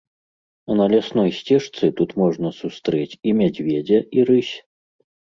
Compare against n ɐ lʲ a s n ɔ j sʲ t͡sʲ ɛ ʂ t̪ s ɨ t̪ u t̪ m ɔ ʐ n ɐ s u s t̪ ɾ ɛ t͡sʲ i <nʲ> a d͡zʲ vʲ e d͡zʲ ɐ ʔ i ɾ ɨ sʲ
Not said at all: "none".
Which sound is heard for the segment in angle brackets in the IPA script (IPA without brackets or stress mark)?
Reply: mʲ